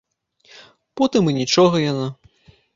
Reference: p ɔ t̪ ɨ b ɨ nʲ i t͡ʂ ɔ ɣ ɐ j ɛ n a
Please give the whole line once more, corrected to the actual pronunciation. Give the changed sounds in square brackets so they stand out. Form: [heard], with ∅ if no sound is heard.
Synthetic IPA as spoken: p ɔ t̪ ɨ [m] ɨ nʲ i t͡ʂ ɔ ɣ ɐ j [a] n a